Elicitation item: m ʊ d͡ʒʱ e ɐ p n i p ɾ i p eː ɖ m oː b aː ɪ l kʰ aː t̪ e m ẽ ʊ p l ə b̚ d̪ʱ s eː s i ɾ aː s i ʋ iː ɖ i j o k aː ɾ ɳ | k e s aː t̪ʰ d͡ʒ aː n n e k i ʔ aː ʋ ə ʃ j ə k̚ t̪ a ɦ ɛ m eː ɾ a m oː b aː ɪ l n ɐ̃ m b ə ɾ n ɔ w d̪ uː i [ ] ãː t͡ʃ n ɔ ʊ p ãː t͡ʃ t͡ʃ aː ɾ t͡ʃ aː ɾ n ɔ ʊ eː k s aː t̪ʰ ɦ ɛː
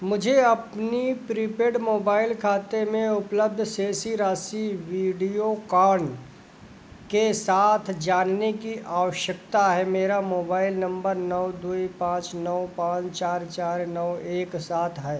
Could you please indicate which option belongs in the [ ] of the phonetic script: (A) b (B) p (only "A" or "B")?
B